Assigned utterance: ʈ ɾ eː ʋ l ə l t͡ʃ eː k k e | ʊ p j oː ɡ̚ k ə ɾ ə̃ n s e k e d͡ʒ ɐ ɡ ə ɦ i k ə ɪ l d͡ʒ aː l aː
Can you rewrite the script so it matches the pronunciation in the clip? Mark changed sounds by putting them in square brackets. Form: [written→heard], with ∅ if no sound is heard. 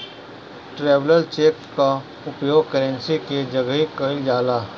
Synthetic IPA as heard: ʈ ɾ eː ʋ l ə l t͡ʃ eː k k [e→a] | ʊ p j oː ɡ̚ k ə ɾ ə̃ n s [e→i] k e d͡ʒ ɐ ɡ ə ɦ i k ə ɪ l d͡ʒ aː l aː